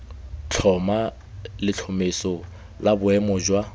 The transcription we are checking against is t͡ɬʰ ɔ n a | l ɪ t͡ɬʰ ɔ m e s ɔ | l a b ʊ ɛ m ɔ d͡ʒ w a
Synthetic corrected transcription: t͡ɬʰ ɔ m a | l ɪ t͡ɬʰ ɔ m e s ɔ | l a b ʊ ɛ m ɔ d͡ʒ w a

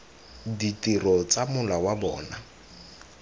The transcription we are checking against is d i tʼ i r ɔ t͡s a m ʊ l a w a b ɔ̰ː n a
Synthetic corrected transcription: d i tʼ i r ɔ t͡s a m ʊ l a w a b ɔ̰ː n a

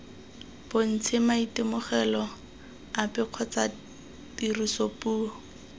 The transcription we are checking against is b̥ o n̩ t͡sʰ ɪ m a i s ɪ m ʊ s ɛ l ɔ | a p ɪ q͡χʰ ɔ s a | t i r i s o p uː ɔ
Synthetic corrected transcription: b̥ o n̩ t͡sʰ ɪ m a i t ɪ m ʊ χ ɛ l ɔ | a p ɪ q͡χʰ ɔ t͡s a | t i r i s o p uː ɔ

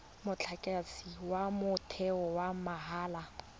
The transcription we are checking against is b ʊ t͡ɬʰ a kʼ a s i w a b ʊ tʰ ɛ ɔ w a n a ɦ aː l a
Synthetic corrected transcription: m ʊ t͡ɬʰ a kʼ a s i w a m ʊ tʰ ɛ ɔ w a m a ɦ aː l a

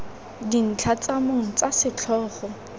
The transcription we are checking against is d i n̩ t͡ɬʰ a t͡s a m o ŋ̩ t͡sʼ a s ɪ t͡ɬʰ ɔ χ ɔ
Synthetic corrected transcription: d i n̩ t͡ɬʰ a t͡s a m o ŋ̩ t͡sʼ a s ɪ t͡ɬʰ ɔː χ ɔ

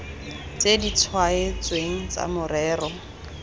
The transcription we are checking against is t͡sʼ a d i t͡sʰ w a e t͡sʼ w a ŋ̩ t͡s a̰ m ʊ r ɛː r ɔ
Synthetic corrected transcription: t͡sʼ e d i t͡sʰ w a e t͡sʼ w e ŋ̩ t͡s a̰ m ʊ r ɛː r ɔ

